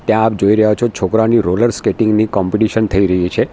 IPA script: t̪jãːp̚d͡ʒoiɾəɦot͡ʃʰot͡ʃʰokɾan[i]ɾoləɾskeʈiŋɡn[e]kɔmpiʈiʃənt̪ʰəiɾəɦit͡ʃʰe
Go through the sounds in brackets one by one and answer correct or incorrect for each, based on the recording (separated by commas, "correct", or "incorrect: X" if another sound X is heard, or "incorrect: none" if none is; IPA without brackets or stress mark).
correct, incorrect: i